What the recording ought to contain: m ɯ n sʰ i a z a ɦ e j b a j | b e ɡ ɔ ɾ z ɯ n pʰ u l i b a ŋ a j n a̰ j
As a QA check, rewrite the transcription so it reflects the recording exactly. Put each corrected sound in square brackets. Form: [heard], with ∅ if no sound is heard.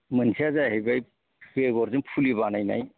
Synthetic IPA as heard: m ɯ n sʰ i a z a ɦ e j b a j | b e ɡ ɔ ɾ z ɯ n pʰ u l i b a [n] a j n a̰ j